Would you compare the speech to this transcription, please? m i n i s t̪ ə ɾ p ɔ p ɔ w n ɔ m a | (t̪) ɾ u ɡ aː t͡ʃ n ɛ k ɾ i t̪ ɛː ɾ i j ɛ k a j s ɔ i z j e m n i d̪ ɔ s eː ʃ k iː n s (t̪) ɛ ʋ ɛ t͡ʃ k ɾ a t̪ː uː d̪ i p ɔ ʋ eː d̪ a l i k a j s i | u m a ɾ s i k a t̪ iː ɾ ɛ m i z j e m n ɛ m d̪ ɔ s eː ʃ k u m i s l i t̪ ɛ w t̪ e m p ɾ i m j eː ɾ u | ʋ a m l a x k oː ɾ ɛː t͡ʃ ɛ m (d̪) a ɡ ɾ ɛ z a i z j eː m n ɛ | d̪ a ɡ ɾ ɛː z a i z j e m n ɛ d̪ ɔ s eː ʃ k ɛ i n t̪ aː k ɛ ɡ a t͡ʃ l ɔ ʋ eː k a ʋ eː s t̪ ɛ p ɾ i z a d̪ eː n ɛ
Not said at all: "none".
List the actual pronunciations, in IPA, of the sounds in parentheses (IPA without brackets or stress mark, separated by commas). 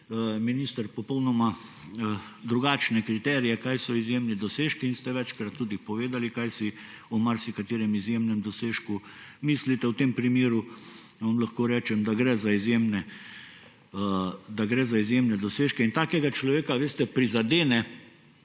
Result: d̪, t̪, d̪